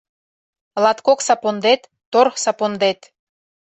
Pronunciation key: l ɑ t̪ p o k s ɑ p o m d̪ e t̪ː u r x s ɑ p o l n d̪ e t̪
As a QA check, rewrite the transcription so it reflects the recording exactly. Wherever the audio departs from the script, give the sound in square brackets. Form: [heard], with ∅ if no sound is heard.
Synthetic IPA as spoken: l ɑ t̪ [k] o k s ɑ p o [n] d̪ e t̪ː [o] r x s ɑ p o [∅] n d̪ e t̪

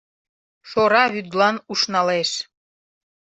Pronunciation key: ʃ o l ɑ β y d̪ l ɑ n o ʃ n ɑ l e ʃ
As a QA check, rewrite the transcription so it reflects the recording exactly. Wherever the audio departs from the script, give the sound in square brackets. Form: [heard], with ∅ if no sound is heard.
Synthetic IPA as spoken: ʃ o [ɾ] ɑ β y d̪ l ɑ n [u] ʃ n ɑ l e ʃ

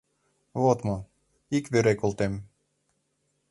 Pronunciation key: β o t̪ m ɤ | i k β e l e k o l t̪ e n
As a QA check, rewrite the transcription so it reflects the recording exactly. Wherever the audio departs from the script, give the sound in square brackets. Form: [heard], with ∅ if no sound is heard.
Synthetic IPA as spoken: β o t̪ m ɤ | i k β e [ɾ] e k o l t̪ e [m]

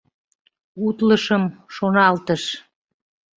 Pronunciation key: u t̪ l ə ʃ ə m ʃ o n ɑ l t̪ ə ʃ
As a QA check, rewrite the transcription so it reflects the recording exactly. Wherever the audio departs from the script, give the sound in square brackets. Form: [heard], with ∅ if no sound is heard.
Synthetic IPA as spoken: u t̪ l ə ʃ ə m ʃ o n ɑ l t̪ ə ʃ

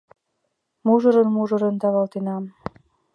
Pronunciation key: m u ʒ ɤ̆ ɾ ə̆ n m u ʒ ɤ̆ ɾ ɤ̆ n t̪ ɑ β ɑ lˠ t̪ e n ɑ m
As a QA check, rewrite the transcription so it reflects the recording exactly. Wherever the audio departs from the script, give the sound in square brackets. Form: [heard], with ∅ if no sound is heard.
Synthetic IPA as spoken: m u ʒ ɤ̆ ɾ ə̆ n m u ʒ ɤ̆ ɾ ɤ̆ n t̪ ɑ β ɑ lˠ t̪ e n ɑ m

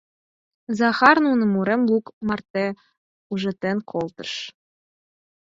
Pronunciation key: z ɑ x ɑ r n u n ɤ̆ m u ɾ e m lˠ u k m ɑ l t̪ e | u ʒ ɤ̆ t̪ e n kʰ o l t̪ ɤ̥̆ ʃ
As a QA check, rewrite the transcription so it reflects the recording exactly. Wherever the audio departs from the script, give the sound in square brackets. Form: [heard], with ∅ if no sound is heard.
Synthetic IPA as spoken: z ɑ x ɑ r n u n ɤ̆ m u ɾ e m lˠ u k m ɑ [r] t̪ e | u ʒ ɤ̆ t̪ e n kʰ o l t̪ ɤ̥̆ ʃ

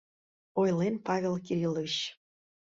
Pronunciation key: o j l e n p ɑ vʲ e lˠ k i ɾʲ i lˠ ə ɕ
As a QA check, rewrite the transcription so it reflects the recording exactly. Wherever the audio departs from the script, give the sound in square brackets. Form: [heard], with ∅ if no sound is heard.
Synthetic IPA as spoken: o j l e n p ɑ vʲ e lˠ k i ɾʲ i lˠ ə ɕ

